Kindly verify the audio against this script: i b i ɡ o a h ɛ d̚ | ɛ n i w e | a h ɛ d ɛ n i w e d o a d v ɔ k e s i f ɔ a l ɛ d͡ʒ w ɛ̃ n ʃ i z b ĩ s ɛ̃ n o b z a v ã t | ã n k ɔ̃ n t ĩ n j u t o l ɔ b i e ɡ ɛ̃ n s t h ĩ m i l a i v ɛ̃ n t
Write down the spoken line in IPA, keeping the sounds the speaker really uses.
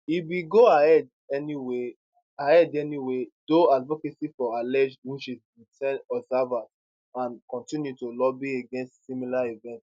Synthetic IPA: i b i ɡ o a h ɛ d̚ | ɛ n i w e | a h ɛ d ɛ n i w e d o a d v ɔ k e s i f ɔ a l ɛ d͡ʒ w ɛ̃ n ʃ i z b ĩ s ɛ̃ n ɔ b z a v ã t | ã n k ɔ̃ n t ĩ n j u t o l ɔ b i e ɡ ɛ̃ n s t s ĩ m i l a i v ɛ̃ n t